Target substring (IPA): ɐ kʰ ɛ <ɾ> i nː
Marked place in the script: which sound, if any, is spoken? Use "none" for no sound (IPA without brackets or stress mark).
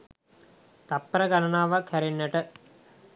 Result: ɾ